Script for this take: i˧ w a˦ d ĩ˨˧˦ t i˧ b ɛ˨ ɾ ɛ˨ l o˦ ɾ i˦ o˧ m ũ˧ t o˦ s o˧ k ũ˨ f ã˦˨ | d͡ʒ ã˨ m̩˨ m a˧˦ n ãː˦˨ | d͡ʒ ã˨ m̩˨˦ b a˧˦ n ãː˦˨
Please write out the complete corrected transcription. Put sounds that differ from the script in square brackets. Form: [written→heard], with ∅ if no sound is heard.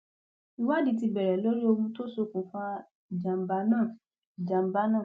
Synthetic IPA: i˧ w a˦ d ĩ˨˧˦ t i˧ b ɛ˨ ɾ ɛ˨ l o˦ ɾ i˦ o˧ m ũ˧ t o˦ s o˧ k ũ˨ f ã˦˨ | d͡ʒ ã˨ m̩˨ [m→b] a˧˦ n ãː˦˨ | d͡ʒ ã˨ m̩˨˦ b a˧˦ n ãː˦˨